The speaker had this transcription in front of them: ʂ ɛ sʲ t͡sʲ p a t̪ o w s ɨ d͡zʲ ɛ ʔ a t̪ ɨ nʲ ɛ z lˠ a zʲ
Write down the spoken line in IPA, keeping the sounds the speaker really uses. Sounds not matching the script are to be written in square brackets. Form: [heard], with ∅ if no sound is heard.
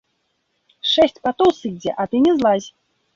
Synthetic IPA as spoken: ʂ ɛ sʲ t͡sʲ p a t̪ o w s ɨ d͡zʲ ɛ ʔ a t̪ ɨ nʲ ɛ z lˠ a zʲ